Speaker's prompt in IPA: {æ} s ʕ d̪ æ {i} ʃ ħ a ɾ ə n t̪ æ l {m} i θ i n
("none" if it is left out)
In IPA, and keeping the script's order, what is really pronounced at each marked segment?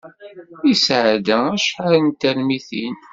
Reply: i, æ, m

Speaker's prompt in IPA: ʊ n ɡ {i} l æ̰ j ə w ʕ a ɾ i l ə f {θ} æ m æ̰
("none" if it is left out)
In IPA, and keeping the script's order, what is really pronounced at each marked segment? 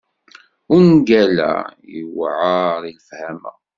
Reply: æ, h

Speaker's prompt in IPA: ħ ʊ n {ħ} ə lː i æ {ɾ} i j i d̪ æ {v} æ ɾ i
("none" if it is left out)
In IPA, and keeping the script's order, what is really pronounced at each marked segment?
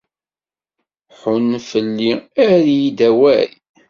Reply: f, ɾ, w

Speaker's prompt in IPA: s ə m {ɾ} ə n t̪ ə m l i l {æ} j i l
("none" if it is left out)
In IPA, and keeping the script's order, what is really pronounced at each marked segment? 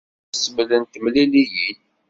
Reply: l, i

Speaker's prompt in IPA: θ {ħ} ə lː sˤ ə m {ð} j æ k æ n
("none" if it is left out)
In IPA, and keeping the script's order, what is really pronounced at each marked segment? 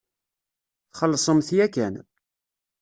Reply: χ, θ

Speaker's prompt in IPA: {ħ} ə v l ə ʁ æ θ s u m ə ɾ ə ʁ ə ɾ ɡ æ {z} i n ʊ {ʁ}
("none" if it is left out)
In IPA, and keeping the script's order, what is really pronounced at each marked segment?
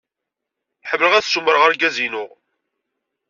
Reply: ħ, z, ʁ

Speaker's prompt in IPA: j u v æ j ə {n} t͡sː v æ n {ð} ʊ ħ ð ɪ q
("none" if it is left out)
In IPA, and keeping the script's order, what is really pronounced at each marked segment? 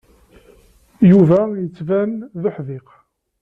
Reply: none, ð

